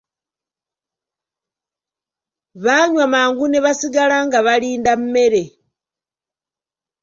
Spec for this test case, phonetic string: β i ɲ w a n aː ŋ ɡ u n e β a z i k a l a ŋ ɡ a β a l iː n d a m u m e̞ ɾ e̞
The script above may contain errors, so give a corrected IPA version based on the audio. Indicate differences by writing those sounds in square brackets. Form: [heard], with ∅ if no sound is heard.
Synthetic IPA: β [a] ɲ w a [m] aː ŋ ɡ u n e β a [s] i [ɡ] a l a ŋ ɡ a β a l iː n d a m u m e̞ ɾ e̞